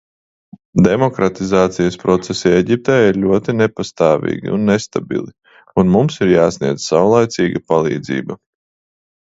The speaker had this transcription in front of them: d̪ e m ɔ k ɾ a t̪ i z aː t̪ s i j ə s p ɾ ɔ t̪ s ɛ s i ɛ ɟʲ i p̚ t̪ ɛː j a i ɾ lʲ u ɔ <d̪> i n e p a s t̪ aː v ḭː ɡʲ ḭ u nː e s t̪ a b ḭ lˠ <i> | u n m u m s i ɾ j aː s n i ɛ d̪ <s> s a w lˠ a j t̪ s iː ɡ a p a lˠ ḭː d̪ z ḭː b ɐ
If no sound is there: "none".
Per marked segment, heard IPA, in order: t̪, i, z

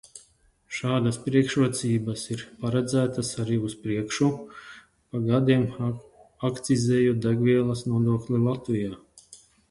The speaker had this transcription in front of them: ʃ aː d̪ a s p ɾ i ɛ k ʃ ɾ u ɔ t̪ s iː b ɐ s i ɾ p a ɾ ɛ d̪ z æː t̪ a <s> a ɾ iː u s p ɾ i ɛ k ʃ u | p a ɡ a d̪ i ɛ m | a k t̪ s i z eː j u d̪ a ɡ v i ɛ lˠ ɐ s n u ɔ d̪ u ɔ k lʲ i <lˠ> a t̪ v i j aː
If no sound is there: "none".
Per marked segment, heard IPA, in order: s, lˠ

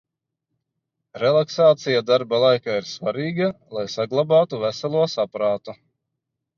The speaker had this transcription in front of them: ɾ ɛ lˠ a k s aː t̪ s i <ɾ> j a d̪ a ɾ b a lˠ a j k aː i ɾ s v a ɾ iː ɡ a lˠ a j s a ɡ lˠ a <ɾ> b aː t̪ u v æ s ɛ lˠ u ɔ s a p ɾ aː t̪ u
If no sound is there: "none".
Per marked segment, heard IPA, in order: none, none

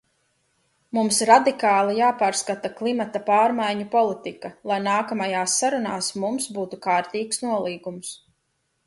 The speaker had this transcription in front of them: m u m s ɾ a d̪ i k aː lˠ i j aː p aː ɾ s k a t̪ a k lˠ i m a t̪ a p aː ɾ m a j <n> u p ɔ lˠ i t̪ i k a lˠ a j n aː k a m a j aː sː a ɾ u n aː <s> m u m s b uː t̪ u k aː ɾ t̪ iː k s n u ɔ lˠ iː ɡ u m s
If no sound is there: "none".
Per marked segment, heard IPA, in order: ɲ, s

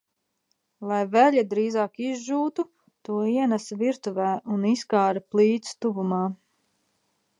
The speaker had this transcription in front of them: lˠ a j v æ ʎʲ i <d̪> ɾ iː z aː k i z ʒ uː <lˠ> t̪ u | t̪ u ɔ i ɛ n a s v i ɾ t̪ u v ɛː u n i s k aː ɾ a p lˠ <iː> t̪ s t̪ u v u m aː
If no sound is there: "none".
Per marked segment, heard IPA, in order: d̪, none, iː

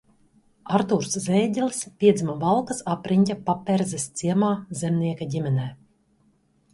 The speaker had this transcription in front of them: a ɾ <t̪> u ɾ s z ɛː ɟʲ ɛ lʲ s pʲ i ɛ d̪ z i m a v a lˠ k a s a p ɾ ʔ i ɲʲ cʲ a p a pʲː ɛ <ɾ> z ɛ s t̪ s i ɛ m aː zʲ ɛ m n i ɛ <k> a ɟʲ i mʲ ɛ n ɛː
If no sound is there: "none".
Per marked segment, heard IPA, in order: t̪, ɾ, k

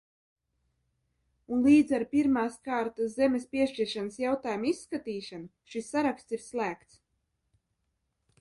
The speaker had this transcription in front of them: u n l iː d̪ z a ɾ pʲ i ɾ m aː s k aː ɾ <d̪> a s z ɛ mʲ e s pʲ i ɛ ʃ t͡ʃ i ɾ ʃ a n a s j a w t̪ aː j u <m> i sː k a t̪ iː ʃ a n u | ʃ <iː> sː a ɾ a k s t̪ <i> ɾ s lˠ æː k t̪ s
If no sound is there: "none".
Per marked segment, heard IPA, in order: t̪, m, i, i

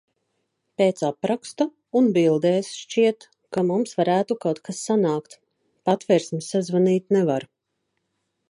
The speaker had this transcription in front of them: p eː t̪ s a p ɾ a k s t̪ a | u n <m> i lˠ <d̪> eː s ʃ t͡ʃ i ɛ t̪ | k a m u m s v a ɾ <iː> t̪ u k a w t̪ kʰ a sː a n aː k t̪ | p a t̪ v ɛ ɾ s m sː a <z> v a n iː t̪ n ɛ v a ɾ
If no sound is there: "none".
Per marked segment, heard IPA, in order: b, d̪, æː, z

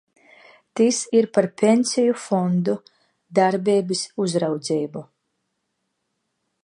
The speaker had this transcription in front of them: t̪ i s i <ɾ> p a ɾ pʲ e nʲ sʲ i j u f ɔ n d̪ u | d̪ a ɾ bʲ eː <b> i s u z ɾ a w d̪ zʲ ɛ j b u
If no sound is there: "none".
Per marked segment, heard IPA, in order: ɾ, b

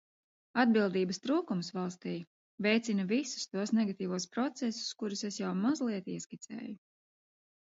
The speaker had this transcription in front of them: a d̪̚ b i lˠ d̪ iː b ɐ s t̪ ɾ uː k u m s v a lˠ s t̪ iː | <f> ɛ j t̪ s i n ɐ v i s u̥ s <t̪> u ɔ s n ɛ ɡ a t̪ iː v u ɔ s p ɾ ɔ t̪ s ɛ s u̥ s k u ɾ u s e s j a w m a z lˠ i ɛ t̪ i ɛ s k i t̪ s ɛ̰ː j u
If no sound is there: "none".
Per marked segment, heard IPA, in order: v, t̪

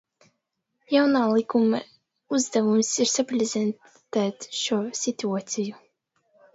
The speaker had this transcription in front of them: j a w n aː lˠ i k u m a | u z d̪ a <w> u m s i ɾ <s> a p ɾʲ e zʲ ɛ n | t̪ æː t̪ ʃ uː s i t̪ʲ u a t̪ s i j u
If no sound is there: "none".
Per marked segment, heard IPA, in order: v, s

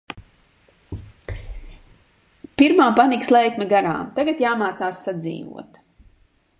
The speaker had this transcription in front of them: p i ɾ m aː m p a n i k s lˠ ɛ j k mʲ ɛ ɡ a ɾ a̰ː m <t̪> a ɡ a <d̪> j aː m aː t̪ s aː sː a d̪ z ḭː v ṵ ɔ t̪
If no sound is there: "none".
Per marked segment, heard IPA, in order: t̪, t̪

